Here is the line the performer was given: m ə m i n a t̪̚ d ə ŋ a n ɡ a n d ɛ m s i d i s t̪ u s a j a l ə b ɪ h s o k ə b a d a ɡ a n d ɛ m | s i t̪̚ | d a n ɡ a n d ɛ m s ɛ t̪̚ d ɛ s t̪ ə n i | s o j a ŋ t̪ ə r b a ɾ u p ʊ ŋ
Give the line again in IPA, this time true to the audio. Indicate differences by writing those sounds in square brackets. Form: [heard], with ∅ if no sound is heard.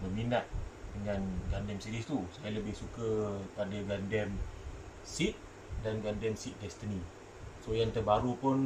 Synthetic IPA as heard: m ə m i n a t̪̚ d ə ŋ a n ɡ a n d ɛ m s i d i s t̪ u s a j a l ə b ɪ h s [u] k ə [p] a d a ɡ a n d ɛ m | s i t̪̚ | d a n ɡ a n d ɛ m s [i] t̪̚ d ɛ s t̪ ə n i | s o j a ŋ t̪ ə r b a ɾ u p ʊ [n]